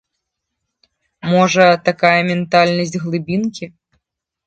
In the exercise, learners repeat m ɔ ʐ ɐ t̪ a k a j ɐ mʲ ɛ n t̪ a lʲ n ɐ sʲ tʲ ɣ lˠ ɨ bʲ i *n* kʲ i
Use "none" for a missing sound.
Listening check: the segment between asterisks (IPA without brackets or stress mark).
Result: n